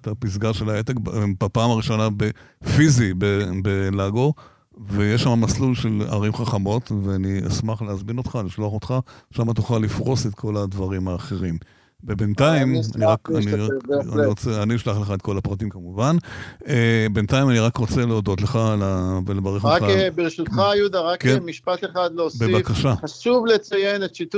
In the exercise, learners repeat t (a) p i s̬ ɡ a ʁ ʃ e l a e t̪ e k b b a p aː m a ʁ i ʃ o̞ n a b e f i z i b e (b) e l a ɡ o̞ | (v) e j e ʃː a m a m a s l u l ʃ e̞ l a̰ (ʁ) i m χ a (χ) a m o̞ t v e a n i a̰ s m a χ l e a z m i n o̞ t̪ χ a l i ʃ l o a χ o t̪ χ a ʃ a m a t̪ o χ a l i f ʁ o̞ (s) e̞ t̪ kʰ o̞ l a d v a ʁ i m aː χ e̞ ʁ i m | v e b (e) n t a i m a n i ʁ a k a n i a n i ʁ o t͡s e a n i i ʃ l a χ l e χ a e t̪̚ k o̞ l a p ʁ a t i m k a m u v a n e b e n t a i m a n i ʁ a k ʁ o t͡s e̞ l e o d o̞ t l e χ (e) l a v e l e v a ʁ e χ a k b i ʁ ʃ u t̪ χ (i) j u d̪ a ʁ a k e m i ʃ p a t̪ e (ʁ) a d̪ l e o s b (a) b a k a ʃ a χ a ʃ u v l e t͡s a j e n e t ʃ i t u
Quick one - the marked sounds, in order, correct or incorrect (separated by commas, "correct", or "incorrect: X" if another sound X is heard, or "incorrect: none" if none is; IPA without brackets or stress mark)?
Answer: correct, correct, correct, correct, correct, correct, correct, incorrect: a, incorrect: a, incorrect: χ, incorrect: e